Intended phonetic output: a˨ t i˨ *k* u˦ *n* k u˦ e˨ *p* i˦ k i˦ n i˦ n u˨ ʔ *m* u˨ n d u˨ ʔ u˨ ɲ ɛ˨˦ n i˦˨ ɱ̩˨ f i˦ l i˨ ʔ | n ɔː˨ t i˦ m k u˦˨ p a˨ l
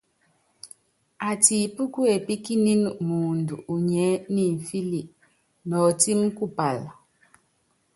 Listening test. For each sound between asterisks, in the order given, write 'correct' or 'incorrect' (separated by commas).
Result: incorrect, incorrect, correct, correct